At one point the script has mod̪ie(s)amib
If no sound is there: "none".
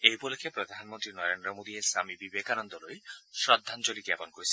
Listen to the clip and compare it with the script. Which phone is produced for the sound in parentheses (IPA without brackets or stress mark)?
s